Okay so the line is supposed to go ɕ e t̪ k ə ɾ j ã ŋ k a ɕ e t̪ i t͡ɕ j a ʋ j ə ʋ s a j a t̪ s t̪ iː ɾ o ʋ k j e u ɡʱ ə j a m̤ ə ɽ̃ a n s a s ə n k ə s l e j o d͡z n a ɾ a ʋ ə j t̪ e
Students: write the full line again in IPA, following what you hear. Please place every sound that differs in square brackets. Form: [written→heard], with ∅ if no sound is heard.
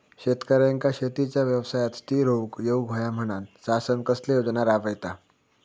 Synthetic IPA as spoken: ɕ e t̪ k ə ɾ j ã ŋ k a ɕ e t̪ i t͡ɕ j a ʋ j ə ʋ s a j a t̪ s t̪ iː ɾ o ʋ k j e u ɡʱ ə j a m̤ ə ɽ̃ a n s a s ə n k ə s l e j o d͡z n a ɾ a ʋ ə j t̪ [e→a]